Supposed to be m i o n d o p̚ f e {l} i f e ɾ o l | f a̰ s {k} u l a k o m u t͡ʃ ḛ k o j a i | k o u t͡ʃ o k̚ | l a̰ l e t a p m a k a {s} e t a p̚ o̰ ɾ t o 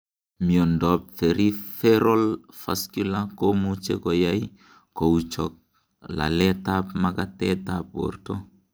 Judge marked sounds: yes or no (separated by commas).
no, yes, no